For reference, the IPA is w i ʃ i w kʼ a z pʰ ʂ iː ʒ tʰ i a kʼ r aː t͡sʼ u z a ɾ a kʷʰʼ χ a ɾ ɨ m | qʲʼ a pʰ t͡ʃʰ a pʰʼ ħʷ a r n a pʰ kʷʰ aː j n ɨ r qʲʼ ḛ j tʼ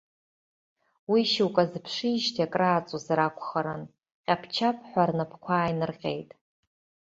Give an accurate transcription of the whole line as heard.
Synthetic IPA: w i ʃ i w kʼ a z pʰ ʂ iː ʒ tʰ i a kʼ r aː t͡sʼ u z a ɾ a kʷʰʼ χ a ɾ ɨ n | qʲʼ a pʰ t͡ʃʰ a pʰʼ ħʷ a r n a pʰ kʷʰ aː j n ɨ r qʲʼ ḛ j tʼ